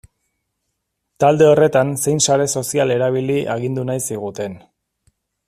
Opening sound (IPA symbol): t̪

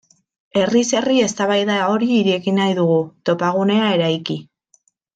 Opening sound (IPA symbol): e̞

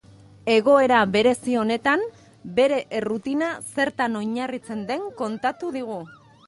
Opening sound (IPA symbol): e̞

